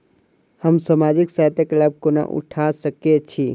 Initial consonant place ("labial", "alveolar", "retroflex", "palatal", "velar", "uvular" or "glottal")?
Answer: glottal